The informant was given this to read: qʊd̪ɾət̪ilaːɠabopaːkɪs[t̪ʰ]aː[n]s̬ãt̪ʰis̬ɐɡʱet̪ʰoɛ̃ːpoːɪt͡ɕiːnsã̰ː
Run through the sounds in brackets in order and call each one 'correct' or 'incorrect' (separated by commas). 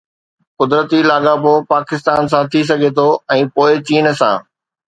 incorrect, correct